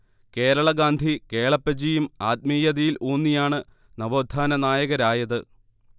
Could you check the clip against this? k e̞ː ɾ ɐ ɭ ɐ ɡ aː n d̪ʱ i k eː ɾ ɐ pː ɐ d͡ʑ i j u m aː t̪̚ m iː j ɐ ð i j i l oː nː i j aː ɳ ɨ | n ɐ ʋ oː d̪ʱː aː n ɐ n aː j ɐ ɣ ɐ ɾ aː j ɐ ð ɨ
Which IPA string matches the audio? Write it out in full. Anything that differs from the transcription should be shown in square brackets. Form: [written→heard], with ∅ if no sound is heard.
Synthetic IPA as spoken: k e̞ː ɾ ɐ ɭ ɐ ɡ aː n d̪ʱ i k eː [ɾ→ɭ] ɐ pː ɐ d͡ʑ i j u m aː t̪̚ m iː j ɐ ð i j i l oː nː i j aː ɳ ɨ | n ɐ ʋ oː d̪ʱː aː n ɐ n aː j ɐ ɣ ɐ ɾ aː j ɐ ð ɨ